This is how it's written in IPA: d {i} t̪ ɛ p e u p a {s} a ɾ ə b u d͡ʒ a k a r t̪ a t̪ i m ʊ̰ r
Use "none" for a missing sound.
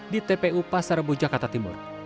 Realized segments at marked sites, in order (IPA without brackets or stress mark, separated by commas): i, s